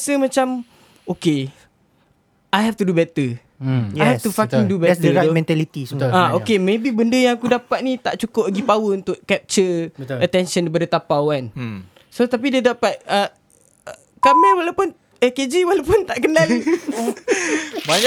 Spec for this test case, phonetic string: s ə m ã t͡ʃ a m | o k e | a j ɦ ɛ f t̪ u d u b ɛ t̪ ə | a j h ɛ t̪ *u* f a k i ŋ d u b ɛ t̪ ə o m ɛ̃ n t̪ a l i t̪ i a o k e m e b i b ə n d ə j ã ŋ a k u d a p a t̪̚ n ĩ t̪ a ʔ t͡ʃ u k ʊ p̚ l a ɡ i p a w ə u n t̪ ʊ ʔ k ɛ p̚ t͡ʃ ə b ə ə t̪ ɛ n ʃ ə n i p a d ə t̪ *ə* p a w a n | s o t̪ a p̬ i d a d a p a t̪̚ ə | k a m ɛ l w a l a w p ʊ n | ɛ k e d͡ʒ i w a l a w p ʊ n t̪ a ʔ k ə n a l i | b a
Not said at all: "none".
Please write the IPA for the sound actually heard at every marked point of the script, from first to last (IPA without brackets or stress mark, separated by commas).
u, a